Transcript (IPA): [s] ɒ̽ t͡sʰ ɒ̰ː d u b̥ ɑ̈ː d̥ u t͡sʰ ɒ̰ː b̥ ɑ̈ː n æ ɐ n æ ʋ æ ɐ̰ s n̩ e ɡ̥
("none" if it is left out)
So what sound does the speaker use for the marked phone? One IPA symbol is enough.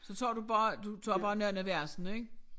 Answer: s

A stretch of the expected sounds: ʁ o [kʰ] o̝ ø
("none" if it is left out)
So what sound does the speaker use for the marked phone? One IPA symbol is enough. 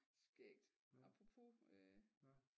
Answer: pʰ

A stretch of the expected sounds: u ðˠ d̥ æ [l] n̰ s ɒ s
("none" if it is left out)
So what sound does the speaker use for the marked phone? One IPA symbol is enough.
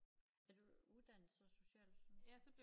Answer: none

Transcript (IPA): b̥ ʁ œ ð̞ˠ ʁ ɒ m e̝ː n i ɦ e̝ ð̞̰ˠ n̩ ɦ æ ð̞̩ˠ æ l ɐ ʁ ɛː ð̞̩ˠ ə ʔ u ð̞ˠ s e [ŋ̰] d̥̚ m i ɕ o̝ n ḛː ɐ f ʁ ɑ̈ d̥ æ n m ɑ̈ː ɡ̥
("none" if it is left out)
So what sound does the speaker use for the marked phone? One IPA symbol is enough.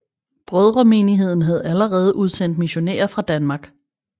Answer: n̰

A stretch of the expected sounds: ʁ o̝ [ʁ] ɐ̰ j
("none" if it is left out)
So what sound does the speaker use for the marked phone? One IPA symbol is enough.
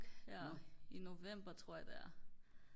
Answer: none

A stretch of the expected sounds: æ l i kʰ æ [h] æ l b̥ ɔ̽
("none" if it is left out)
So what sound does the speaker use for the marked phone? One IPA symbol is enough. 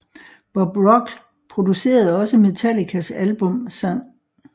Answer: s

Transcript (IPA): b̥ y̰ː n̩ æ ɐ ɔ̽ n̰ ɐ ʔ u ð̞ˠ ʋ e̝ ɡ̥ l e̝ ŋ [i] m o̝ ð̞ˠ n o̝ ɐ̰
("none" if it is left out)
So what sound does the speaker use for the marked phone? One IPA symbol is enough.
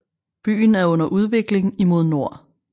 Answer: i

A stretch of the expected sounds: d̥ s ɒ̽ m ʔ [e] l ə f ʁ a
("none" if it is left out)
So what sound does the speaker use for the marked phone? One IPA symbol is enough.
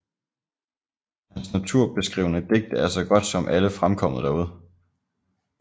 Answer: æ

